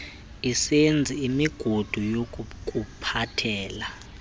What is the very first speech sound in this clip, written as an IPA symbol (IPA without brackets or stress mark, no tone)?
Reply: i